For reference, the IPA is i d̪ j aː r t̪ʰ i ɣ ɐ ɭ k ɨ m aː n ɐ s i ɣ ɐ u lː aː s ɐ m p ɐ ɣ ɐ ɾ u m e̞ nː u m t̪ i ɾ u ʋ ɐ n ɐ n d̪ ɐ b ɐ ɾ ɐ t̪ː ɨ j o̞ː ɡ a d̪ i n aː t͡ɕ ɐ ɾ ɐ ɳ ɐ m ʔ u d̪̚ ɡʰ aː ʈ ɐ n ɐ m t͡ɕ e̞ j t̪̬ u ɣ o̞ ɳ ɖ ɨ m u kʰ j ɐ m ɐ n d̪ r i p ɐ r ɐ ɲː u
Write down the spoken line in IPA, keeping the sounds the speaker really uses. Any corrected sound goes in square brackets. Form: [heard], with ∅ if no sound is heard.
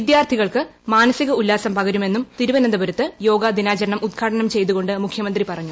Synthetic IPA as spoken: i d̪ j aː r t̪ʰ i ɣ ɐ ɭ k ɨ m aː n ɐ s i ɣ ɐ u lː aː s ɐ m p ɐ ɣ ɐ ɾ u m e̞ nː u m t̪ i ɾ u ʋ ɐ n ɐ n d̪ ɐ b ɐ ɾ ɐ t̪ː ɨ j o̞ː ɡ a d̪ i n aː t͡ɕ ɐ ɾ ɐ ɳ ɐ m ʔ u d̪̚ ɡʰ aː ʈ ɐ n ɐ m t͡ɕ e̞ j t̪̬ u ɣ o̞ ɳ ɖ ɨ m u kʰ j ɐ m ɐ n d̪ r i p ɐ r ɐ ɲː u